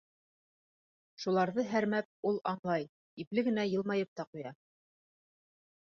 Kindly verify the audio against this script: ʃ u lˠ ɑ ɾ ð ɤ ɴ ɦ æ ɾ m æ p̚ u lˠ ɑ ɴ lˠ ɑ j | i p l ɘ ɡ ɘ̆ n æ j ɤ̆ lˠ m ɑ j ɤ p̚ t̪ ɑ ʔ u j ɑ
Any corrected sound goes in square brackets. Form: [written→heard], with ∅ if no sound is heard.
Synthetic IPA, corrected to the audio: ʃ u lˠ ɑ ɾ ð ɤ [ɴ→∅] ɦ æ ɾ m æ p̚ u lˠ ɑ ɴ lˠ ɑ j | i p l ɘ ɡ ɘ̆ n æ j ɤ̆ lˠ m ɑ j ɤ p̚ t̪ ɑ [ʔ→q] u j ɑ